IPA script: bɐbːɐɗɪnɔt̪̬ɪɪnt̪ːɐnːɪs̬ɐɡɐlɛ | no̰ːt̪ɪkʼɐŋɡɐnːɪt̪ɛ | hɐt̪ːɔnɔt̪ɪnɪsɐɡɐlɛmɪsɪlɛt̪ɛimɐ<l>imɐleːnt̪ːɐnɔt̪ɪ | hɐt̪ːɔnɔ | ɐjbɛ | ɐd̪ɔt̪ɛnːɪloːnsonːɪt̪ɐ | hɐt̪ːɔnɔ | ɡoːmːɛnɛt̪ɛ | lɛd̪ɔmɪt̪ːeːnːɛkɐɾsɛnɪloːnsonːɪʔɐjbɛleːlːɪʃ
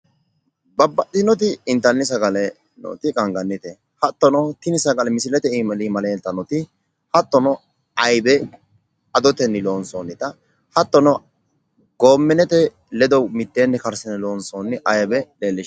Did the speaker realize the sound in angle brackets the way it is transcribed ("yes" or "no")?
yes